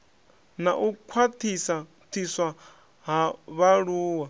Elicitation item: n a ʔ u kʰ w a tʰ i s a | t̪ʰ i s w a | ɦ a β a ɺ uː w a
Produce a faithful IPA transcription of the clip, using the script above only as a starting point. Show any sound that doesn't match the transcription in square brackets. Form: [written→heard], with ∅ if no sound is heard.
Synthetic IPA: n a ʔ u kʰ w a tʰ i s a | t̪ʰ i s w a | ɦ a β a ɺ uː w a